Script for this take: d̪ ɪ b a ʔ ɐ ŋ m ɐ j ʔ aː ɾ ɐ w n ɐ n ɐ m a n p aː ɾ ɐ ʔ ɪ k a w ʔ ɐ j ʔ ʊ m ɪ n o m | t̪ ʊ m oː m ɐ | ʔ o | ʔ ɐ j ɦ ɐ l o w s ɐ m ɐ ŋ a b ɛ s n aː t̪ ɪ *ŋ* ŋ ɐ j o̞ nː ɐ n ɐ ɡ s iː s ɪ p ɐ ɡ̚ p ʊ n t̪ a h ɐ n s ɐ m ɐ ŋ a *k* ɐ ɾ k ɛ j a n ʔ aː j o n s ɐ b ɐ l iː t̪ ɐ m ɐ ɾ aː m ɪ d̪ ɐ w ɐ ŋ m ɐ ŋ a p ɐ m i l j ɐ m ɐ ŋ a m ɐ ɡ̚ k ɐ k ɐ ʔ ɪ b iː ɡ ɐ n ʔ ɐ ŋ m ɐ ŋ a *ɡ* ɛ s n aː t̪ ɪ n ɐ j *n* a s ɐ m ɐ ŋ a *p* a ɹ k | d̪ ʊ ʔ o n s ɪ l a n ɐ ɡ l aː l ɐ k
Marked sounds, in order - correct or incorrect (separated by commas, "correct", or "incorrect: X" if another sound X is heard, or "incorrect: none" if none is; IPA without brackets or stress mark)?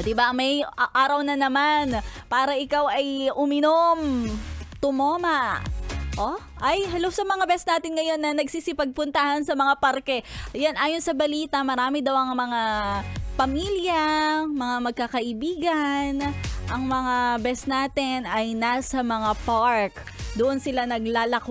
incorrect: n, incorrect: p, incorrect: b, correct, correct